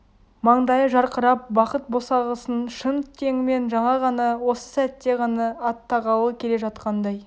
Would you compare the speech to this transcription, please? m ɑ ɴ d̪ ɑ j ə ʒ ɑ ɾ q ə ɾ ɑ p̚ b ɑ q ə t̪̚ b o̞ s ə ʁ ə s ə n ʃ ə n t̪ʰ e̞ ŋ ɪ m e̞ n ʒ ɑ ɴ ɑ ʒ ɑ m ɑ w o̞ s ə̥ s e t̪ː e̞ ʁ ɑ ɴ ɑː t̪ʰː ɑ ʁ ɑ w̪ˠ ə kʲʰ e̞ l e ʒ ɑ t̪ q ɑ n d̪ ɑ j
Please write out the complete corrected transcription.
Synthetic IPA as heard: m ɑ ɴ d̪ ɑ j ə ʒ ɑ ɾ q ə ɾ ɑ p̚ b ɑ q ə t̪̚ b o̞ s ɑ ʁ ə s ə n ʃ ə n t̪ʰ e̞ ŋ ɪ m e̞ n ʒ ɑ ɴ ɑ ʁ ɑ n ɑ w o̞ s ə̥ s æ t̪ː e̞ ʁ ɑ n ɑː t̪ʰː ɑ ʁ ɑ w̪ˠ ə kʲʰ e̞ l e ʒ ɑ t̪ q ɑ n d̪ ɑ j

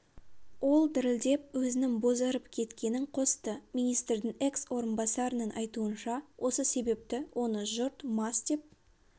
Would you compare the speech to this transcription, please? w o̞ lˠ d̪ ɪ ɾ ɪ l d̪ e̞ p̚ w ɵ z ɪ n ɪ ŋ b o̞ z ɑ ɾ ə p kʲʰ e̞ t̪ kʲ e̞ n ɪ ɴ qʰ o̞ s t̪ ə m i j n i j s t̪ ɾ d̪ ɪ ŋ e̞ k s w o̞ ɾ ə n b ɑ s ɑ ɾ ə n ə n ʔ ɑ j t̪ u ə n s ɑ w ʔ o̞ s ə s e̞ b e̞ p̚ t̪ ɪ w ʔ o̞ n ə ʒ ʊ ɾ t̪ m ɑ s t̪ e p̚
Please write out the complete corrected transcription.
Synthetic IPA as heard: w o̞ lˠ d̪ ɪ ɾ ɪ l d̪ e̞ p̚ w ɵ z ɪ n ɪ ŋ b o̞ z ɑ ɾ ə p kʲʰ e̞ t̪ kʲ e̞ n ɪ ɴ qʰ o̞ s t̪ ə m i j n i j s t̪ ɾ d̪ ɪ ŋ e̞ k s w o̞ ɾ ə n b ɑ s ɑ ɾ ə n ə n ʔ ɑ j t̪ u ə n ʃ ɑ w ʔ o̞ s ə s e̞ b e̞ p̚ t̪ ɪ w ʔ o̞ n ə ʒ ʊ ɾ t̪ m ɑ s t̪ e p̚

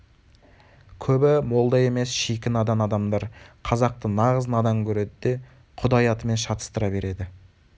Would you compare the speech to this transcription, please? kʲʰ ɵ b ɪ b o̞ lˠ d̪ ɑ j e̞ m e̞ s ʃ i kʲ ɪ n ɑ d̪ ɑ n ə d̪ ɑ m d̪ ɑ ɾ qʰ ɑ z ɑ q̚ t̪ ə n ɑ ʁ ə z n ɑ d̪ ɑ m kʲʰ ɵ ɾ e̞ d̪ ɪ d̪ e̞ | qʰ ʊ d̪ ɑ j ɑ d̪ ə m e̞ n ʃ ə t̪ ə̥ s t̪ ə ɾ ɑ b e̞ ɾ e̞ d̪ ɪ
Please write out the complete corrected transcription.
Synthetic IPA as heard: kʲʰ ɵ b ɪ m o̞ lˠ d̪ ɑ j e̞ m e̞ s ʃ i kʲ ɪ n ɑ d̪ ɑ n ɑ d̪ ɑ m d̪ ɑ ɾ qʰ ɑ z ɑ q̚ t̪ ə n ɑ ʁ ə z n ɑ d̪ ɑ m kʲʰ ɵ ɾ e̞ d̪ ɪ d̪ e̞ | qʰ ʊ d̪ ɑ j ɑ t̪ ə m e̞ n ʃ ɑ t̪ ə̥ s t̪ ə ɾ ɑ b e̞ ɾ e̞ d̪ ɪ

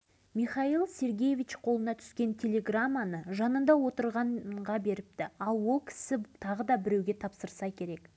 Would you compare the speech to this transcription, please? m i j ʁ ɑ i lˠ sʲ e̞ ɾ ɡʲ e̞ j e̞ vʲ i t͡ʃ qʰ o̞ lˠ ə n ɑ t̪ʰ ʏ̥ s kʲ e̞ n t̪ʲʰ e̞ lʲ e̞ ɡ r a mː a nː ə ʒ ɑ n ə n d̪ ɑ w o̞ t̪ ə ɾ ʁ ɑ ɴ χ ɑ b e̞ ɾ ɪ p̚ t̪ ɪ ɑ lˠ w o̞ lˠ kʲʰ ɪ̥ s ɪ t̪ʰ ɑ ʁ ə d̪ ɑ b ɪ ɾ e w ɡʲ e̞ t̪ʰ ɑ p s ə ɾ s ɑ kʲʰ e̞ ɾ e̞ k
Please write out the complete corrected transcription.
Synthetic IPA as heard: m i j χ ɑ i lˠ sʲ e̞ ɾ ɡʲ e̞ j e̞ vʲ i t͡ʃ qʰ o̞ lˠ ə n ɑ t̪ʰ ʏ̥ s kʲ e̞ n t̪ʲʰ e̞ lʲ e̞ ɡ r a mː a n ə ʒ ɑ n ə n d̪ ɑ w o̞ t̪ ə ɾ ʁ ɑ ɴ ʁ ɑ b e̞ ɾ ɪ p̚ t̪ ɪ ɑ lˠ w o̞ lˠ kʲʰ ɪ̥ s ɪ t̪ʰ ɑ ʁ ə d̪ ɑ b ɪ ɾ e w ɡʲ e̞ t̪ʰ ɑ p s ə ɾ s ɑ kʲʰ e̞ ɾ e̞ k

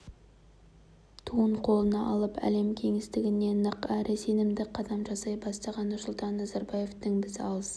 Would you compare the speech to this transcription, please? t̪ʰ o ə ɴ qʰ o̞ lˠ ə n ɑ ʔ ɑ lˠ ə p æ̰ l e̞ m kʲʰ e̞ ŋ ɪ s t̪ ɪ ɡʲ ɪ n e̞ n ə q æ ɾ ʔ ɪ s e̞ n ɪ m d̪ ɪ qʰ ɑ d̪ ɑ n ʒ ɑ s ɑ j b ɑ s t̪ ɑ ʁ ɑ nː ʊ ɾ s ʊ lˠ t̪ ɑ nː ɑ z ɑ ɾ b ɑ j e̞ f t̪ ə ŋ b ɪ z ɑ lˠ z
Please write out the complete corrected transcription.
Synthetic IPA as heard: t̪ʰ u ə ɴ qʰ o̞ lˠ ə n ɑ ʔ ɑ lˠ ə p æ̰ l e̞ m kʲʰ e̞ ŋ ɪ s t̪ ɪ ɡʲ ɪ n e̞ n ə q æ ɾ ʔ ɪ s e̞ n ɪ m d̪ ɪ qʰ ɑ d̪ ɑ m ʒ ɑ s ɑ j b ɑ s t̪ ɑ ʁ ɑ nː ʊ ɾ s ʊ lˠ t̪ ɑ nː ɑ z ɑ ɾ b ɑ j e̞ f t̪ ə ŋ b ɪ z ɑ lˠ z

